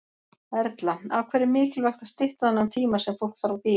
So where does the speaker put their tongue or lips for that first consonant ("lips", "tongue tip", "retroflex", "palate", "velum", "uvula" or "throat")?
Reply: tongue tip